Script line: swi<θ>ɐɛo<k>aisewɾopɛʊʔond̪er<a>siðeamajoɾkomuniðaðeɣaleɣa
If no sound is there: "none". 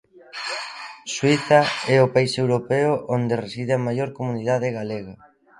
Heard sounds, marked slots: θ, p, e

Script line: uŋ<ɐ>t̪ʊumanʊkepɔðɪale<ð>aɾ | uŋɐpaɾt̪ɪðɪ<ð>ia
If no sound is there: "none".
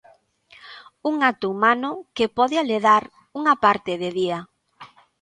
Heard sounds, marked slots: a, ð, ð

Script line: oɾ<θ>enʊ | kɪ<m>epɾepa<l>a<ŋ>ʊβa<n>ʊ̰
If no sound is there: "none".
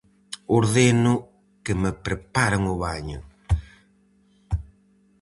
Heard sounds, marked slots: ð, m, ɾ, ŋ, ɲ

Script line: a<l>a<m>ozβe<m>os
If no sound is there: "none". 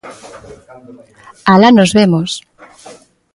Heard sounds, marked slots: l, n, m

